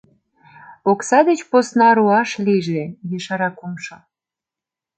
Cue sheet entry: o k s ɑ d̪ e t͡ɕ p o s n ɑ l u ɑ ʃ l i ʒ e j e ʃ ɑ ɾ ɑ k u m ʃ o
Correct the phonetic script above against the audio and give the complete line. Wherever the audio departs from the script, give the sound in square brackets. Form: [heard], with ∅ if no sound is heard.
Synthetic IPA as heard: o k s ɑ d̪ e t͡ɕ p o s n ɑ [ɾ] u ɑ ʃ l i ʒ e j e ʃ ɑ ɾ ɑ k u m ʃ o